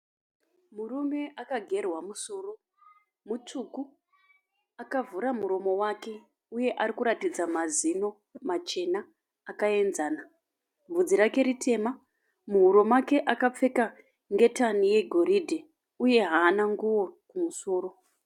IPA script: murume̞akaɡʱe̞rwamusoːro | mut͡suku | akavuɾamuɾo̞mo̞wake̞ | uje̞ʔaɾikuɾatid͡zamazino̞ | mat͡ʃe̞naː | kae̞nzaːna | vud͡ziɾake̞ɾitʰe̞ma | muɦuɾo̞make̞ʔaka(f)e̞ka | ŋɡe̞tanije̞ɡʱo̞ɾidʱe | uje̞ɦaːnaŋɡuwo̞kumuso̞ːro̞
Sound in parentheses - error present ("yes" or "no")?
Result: yes